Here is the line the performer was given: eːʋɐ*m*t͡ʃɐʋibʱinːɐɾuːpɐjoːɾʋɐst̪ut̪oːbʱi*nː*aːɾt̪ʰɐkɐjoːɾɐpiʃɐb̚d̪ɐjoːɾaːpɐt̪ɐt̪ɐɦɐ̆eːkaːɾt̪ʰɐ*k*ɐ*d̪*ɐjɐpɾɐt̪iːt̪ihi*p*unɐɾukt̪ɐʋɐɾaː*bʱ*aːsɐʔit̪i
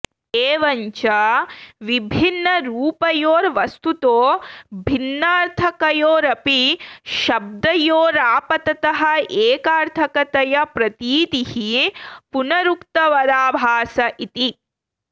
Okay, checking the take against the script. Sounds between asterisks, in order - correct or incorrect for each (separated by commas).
incorrect, correct, correct, incorrect, correct, correct